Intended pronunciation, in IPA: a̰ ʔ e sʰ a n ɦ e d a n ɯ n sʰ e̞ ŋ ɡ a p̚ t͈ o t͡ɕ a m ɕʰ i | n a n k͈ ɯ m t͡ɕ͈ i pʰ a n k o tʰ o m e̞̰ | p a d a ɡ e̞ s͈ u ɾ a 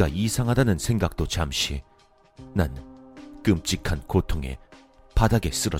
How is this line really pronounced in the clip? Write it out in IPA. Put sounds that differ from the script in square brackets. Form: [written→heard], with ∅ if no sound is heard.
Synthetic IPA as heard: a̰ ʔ [e→i] sʰ a [n→ŋ] ɦ [e→a] d a n ɯ n sʰ e̞ ŋ ɡ a [p̚→k̚] t͈ o t͡ɕ a m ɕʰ i | n a n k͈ ɯ m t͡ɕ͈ i [pʰ→kʰ] a n k o tʰ o [m→ŋ] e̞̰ | p a d a ɡ e̞ s͈ [u→ɯ] ɾ [a→ʌ]